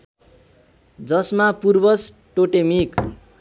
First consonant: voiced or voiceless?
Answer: voiced